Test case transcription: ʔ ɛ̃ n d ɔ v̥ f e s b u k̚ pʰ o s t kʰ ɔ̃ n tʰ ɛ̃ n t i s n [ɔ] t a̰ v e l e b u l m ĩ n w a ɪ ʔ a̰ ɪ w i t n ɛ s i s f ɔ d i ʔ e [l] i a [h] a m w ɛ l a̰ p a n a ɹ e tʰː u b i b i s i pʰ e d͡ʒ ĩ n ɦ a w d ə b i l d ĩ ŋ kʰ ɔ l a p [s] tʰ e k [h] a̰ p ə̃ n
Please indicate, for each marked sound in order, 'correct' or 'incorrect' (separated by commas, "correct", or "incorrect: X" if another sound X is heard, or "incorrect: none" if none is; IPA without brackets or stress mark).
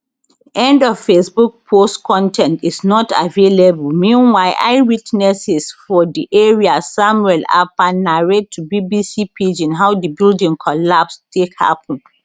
correct, incorrect: ɹ, incorrect: s, correct, correct